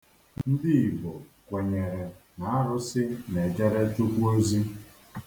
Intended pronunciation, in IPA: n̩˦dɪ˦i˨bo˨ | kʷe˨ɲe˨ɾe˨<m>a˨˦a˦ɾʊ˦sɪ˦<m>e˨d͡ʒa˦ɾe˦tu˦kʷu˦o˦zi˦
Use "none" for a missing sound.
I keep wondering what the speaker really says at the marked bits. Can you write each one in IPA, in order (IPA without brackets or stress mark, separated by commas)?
n, n